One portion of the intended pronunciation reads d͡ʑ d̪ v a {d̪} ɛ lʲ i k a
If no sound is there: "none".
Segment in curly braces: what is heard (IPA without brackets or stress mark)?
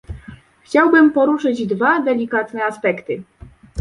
d̪